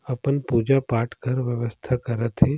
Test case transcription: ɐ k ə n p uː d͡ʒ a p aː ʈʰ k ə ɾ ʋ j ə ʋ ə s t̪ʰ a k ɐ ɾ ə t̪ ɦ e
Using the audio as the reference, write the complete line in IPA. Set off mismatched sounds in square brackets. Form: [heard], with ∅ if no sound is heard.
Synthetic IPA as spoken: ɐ [p] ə n p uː d͡ʒ a p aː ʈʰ k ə ɾ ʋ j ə ʋ ə s t̪ʰ a k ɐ ɾ ə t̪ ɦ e